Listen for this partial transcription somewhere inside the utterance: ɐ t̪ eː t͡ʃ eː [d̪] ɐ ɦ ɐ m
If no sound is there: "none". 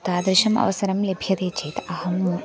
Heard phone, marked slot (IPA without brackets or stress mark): t̪